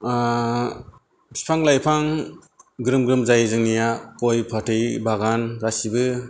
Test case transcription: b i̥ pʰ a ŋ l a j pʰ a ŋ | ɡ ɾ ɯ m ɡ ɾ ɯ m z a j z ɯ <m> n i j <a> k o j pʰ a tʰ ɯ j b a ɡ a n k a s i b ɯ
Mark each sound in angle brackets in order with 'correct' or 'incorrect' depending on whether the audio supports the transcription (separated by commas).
incorrect, correct